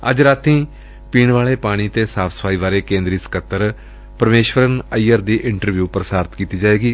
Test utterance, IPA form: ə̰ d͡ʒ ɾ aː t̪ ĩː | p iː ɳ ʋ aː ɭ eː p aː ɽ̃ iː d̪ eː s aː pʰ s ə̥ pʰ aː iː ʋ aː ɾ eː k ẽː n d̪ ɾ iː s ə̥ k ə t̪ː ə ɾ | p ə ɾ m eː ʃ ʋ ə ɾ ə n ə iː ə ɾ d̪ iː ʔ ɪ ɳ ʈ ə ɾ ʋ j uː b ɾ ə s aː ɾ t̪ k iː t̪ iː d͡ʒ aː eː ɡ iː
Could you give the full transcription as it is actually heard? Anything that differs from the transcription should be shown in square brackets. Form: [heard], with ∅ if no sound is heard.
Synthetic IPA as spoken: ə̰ d͡ʒ ɾ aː t̪ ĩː | p iː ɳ ʋ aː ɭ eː p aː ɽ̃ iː [t̪] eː s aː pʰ s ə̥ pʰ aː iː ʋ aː ɾ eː k ẽː n d̪ ɾ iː s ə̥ k ə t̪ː ə ɾ | p ə ɾ m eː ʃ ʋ ə ɾ ə n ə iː ə ɾ d̪ iː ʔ ɪ ɳ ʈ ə ɾ ʋ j uː [p] ɾ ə s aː ɾ t̪ k iː t̪ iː d͡ʒ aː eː ɡ iː